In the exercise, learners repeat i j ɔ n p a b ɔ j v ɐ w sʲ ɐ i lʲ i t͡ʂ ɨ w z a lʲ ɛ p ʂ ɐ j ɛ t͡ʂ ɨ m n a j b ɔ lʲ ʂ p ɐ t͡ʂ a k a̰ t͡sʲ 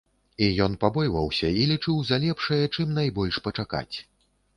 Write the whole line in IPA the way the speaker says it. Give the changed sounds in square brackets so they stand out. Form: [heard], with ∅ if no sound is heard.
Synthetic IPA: i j ɔ n p a b ɔ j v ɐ w sʲ ɐ i lʲ i t͡ʂ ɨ w z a lʲ ɛ p ʂ ɐ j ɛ t͡ʂ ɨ m n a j b ɔ lʲ ʂ p ɐ t͡ʂ a k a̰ t͡sʲ